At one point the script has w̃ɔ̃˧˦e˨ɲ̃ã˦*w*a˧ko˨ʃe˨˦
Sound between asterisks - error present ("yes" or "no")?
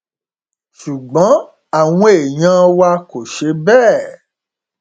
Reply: no